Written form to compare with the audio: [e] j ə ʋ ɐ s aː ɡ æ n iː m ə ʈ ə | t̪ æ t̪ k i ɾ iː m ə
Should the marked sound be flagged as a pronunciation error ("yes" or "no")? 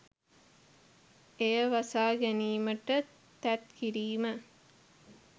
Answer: no